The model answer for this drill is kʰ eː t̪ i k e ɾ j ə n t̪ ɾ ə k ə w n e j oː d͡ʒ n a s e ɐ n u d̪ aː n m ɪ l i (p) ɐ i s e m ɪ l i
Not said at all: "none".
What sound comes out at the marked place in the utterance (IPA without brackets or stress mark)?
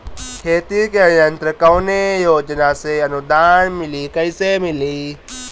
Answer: k